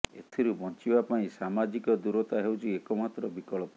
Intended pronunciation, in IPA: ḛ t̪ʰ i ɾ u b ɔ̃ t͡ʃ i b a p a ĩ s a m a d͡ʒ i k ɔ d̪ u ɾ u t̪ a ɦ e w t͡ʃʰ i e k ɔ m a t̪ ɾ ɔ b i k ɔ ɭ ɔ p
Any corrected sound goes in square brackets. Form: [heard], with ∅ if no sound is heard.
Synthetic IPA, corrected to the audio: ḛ t̪ʰ i ɾ u b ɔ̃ t͡ʃ i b a p a ĩ s a m a d͡ʒ i k ɔ d̪ u ɾ [ɔ] t̪ a ɦ e w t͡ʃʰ i e k ɔ m a t̪ ɾ ɔ b i k ɔ ɭ ɔ p